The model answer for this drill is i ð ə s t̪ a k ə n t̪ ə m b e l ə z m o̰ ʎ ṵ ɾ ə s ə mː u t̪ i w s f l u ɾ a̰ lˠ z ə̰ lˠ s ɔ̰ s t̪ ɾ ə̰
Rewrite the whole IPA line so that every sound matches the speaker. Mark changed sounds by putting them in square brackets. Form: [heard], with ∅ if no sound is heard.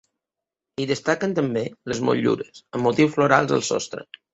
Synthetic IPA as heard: i ð ə s t̪ a k ə n t̪ ə m b e l ə z m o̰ ʎ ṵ ɾ ə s ə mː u t̪ i w s f l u ɾ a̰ lˠ z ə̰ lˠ s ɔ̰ s t̪ ɾ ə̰